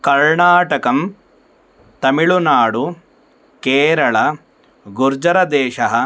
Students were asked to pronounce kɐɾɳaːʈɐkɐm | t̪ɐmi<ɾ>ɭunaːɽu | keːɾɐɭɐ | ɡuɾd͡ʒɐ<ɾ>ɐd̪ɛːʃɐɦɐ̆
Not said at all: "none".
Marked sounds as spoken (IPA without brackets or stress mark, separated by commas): none, ɾ